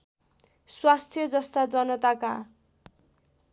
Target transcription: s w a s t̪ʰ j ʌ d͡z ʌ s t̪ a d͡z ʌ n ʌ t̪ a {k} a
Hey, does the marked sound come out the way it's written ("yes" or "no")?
yes